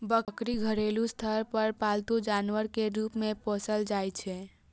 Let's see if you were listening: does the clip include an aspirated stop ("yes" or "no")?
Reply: yes